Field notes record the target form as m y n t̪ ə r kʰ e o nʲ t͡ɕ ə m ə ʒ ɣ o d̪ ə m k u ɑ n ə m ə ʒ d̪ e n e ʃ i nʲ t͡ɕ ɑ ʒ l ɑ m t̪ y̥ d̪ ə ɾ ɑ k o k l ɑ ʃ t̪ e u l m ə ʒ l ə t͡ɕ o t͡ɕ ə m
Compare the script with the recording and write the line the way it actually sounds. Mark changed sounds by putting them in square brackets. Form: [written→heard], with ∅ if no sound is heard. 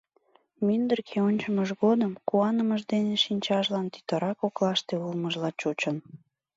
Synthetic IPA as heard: m y n [t̪→d̪] ə r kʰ e o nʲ t͡ɕ ə m ə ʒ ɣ o d̪ ə m k u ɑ n ə m ə ʒ d̪ e n e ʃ i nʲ t͡ɕ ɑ ʒ l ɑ [m→n] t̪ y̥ [d̪→t̪] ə ɾ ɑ k o k l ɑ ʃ t̪ e u l m ə ʒ l [ə→ɑ] t͡ɕ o t͡ɕ ə [m→n]